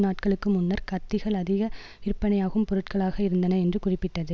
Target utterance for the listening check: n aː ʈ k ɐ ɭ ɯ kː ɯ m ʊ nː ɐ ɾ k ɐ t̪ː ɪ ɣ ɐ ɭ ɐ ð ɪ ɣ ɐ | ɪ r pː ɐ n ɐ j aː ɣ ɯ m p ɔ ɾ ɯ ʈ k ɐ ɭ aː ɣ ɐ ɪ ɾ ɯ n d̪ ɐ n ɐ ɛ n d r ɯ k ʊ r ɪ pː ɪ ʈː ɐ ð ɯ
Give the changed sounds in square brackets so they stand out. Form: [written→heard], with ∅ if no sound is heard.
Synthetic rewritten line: n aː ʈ k ɐ ɭ ɯ kː ɯ m ʊ nː ɐ ɾ k ɐ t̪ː ɪ ɣ ɐ ɭ ɐ ð ɪ ɣ ɐ | ɪ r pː ɐ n ɐ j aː ɣ ɯ m p ɔ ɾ ɯ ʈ k ɐ ɭ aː ɣ ɐ ɪ ɾ ɯ n d̪ ɐ n ɐ ɛ n d r ɯ k ʊ r ɪ pː ɪ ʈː ɐ ð ɯ